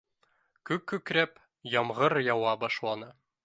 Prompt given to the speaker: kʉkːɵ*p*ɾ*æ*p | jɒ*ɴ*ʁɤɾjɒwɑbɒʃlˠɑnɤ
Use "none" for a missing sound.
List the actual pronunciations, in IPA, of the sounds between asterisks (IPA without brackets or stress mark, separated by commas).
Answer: k, æ, m